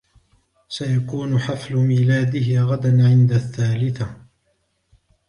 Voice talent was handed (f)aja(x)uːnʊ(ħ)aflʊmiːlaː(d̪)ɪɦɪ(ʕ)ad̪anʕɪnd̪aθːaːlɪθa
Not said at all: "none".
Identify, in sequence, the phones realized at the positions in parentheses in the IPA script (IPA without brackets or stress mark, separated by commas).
s, k, ħ, d̪, ɣ